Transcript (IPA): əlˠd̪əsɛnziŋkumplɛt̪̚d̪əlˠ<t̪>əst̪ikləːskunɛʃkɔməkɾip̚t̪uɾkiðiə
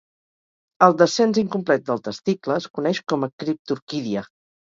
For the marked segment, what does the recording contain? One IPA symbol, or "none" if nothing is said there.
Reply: t̪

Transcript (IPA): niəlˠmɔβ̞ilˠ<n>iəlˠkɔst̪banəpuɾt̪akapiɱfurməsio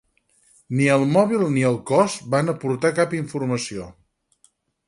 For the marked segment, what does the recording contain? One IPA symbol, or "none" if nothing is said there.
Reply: n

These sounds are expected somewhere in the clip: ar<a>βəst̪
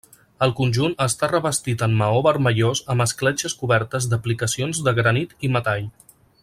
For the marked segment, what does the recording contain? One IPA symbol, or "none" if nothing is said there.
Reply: ə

